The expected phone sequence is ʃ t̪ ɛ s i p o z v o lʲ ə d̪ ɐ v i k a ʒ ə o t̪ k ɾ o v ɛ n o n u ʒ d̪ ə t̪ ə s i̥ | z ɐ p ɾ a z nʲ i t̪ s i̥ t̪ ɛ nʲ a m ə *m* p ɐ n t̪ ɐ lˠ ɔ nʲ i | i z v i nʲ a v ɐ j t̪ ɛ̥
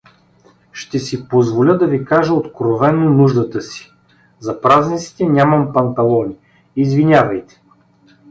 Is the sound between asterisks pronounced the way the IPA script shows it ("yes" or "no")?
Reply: yes